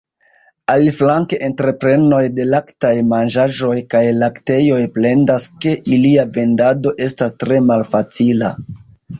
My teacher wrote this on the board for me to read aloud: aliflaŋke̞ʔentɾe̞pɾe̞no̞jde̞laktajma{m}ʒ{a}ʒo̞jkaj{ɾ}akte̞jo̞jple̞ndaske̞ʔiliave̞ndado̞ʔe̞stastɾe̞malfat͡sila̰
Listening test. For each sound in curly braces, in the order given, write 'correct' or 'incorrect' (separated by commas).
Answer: incorrect, correct, incorrect